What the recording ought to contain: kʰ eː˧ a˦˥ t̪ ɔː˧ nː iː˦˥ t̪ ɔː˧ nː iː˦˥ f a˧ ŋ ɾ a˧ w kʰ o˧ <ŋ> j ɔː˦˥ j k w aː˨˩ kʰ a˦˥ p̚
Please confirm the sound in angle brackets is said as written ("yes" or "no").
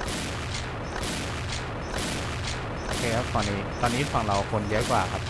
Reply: no